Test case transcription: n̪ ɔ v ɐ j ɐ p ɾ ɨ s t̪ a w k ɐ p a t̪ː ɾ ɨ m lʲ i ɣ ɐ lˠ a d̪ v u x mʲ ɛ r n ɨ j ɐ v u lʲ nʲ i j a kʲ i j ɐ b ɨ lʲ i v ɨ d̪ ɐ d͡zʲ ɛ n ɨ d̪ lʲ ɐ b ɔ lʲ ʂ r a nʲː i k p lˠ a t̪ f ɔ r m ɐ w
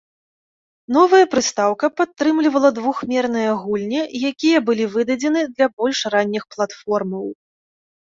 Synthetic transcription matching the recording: n̪ ɔ v ɐ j ɐ p ɾ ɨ s t̪ a w k ɐ p a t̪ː ɾ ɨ m lʲ i v ɐ lˠ ɐ d̪ v u x mʲ ɛ r n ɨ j ɐ ɣ u lʲ nʲ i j a kʲ i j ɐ b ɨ lʲ i v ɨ d̪ ɐ d͡zʲ ɛ n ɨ d̪ lʲ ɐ b ɔ lʲ ʂ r a nʲː i x p lˠ a t̪ f ɔ r m ɐ w

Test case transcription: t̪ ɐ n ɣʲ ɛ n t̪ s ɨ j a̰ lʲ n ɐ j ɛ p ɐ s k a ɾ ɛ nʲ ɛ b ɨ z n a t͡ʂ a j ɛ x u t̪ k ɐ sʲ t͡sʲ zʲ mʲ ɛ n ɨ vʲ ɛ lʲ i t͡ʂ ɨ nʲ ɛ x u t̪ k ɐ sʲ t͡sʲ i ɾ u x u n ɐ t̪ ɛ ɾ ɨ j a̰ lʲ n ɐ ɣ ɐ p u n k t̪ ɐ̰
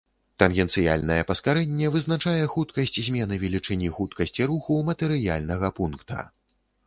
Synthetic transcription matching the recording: t̪ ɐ n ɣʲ ɛ n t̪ s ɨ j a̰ lʲ n ɐ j ɛ p ɐ s k a ɾ ɛ nʲː ɛ v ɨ z n a t͡ʂ a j ɛ x u t̪ k ɐ sʲ t͡sʲ zʲ mʲ ɛ n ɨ vʲ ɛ lʲ i t͡ʂ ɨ nʲ i x u t̪ k ɐ sʲ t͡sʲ i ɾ u x u m ɐ t̪ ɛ ɾ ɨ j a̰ lʲ n ɐ ɣ ɐ p u n k t̪ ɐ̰

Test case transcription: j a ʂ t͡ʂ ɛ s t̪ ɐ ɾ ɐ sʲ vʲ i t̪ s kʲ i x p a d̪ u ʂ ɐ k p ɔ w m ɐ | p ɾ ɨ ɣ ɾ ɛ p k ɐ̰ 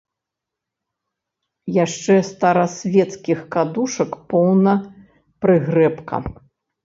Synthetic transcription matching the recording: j a ʂ t͡ʂ ɛ s t̪ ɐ ɾ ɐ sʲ vʲ ɛ t̪ s kʲ i x k a d̪ u ʂ ɐ k p ɔ w n ɐ | p ɾ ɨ ɣ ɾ ɛ p k ɐ̰

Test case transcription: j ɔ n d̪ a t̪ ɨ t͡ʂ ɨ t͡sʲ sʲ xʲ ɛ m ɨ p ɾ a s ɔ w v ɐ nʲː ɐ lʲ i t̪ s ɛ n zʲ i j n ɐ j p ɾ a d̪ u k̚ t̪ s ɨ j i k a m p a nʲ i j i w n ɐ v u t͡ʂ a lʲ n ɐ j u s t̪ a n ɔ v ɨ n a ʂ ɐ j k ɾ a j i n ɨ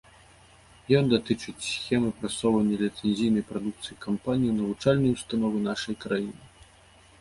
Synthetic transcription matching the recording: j ɔ n d̪ a t̪ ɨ t͡ʂ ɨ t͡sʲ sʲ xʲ ɛ m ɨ p ɾ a s ɔ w v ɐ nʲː ɐ lʲ i t̪ s ɛ n zʲ i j n ɐ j p ɾ a d̪ u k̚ t̪ s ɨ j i k a m p a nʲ i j i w n ɐ v u t͡ʂ a lʲ n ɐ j u s t̪ a n ɔ v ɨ n a ʂ ɐ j k ɾ a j i n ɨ

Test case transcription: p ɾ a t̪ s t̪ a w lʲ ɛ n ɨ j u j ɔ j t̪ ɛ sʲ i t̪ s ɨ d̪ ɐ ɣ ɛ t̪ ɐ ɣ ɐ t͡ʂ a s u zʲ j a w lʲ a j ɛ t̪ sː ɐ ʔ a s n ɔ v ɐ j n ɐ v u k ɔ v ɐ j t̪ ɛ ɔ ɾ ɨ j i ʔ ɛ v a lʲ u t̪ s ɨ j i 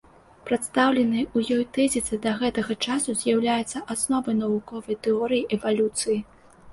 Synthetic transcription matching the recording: p ɾ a t̪ s t̪ a w lʲ ɛ n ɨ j u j ɔ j t̪ ɛ zʲ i t̪ s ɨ d̪ ɐ ɣ ɛ t̪ ɐ ɣ ɐ t͡ʂ a s u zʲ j a w lʲ a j ɛ t̪ sː ɐ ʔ a s n ɔ v ɐ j n ɐ v u k ɔ v ɐ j t̪ ɛ ɔ ɾ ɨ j i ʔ ɛ v a lʲ u t̪ s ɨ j i

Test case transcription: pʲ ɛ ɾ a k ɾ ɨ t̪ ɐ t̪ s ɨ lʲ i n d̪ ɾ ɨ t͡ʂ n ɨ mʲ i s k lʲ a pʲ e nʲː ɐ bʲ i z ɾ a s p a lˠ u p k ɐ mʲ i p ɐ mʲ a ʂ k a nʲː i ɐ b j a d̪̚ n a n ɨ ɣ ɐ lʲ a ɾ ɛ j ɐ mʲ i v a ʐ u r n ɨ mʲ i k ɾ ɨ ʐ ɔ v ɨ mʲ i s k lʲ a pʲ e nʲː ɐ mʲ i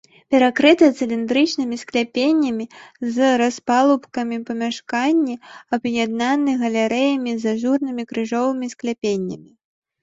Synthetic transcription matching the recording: pʲ ɛ ɾ a k ɾ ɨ t̪ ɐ t̪ s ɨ lʲ i n d̪ ɾ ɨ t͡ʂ n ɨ mʲ i s k lʲ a pʲ e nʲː ɐ mʲ i z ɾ a s p a lˠ u p k ɐ mʲ i p ɐ mʲ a ʂ k a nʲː i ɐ b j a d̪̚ n a n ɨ ɣ ɐ lʲ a ɾ ɛ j ɐ mʲ i z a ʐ u r n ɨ mʲ i k ɾ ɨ ʐ ɔ v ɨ mʲ i s k lʲ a pʲ e nʲː ɐ mʲ i

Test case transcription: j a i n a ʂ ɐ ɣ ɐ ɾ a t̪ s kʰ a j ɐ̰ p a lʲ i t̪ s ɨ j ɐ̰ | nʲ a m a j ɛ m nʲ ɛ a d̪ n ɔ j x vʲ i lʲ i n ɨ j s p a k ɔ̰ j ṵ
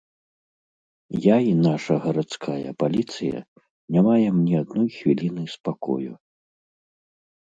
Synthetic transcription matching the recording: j a i n a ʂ ɐ ɣ ɐ ɾ a t̪ s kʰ a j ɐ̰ p a lʲ i t̪ s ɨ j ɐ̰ | nʲ a m a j ɛ m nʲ ɛ a d̪ n ɔ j x vʲ i lʲ i n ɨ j s p a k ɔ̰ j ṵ

